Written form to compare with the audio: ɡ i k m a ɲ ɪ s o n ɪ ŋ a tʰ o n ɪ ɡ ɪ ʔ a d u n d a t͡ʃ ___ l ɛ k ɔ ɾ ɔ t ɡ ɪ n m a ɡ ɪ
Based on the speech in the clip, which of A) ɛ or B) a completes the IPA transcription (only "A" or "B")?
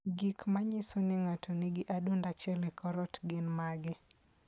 A